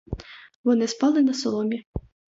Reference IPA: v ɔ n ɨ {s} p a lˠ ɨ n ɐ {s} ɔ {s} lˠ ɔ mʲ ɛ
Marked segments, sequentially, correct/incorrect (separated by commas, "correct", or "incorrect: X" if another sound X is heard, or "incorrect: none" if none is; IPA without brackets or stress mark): correct, correct, incorrect: none